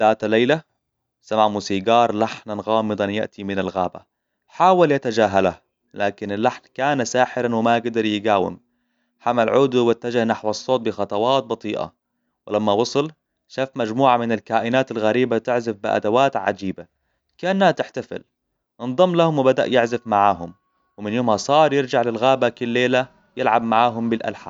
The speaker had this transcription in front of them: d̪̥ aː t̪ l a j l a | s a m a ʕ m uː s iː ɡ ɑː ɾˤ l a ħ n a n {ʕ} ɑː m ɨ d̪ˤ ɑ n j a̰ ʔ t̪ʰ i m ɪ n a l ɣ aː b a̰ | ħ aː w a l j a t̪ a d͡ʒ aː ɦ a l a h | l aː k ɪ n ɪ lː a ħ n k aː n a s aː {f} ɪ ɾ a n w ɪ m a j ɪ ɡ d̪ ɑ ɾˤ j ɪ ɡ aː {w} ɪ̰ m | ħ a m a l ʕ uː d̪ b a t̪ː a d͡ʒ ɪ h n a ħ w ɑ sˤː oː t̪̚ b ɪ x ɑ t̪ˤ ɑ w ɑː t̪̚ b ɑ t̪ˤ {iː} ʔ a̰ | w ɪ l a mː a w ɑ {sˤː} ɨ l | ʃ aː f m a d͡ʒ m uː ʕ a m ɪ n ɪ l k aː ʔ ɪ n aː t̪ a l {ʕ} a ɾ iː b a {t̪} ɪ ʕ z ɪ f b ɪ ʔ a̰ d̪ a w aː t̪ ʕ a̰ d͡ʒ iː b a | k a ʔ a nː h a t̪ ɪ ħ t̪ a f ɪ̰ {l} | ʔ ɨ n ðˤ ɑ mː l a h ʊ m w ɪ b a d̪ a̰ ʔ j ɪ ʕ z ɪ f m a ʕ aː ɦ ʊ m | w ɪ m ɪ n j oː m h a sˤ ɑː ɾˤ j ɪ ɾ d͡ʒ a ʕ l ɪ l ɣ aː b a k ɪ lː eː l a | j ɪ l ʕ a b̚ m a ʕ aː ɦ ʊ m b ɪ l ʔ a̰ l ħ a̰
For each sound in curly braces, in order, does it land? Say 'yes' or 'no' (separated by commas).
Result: no, no, yes, yes, no, no, yes, yes